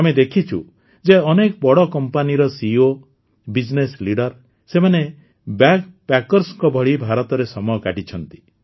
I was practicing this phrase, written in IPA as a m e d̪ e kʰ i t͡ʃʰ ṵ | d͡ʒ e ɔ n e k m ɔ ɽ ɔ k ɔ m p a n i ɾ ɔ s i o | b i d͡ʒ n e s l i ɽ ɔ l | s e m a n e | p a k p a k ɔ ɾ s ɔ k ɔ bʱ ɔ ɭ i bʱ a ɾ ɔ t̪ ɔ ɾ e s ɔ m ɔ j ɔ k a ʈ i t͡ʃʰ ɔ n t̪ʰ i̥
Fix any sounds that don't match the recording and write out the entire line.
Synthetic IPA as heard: a m e d̪ e kʰ i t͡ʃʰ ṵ | d͡ʒ e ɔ n e k b ɔ ɽ ɔ k ɔ m p a n i ɾ ɔ s i o | b i d͡ʒ n e s l i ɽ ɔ ɾ | s e m a n e | b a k p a k ɔ ɾ s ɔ k ɔ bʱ ɔ ɭ i bʱ a ɾ ɔ t̪ ɔ ɾ e s ɔ m ɔ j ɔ k a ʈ i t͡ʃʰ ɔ n t̪ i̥